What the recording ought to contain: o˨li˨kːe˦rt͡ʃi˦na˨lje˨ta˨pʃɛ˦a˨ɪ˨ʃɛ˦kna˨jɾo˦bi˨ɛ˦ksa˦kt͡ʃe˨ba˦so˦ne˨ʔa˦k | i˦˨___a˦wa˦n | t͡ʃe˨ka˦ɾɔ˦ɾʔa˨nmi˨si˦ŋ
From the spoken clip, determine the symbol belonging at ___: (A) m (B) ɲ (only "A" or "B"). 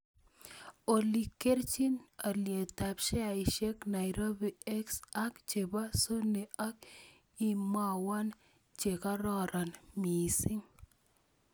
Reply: A